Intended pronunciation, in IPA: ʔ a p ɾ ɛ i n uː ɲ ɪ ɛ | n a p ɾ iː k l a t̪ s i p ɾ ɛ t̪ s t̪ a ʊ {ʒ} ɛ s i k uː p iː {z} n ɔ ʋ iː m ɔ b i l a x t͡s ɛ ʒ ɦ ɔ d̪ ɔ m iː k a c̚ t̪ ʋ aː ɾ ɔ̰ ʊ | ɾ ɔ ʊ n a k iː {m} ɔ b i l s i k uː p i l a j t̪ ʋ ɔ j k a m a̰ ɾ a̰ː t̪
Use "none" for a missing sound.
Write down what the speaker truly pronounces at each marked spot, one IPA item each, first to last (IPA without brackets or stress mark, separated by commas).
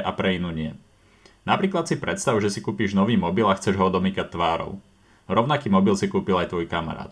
ʒ, ʒ, m